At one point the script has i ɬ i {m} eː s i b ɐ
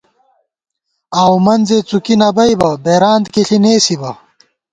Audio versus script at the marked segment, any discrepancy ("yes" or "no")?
yes